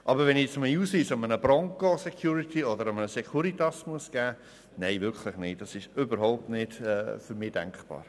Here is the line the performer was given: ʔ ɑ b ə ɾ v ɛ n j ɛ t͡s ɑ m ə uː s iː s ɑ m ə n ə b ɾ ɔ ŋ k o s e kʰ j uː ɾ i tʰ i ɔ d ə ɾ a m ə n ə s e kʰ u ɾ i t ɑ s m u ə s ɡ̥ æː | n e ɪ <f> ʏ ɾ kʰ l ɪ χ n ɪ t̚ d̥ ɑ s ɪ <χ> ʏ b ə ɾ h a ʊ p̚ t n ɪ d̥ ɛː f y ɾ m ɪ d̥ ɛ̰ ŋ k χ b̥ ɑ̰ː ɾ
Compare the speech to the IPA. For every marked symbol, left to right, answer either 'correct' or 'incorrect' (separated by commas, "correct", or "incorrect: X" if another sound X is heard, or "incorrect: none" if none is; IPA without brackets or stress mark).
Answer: incorrect: v, incorrect: ʃ